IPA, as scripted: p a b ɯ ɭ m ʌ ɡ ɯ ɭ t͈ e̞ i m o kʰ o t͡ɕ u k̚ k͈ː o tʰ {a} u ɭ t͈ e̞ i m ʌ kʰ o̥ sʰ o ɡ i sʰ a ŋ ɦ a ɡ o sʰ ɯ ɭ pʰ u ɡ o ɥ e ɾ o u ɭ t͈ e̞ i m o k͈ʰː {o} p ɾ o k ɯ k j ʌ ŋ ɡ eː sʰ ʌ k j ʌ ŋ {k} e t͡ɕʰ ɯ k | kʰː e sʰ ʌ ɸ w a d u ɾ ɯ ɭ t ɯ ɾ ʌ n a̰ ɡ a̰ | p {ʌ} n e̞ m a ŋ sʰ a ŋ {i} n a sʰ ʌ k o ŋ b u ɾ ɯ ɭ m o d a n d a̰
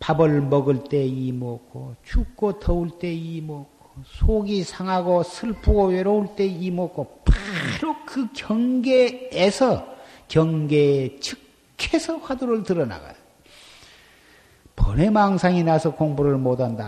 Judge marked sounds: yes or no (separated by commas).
no, yes, no, yes, yes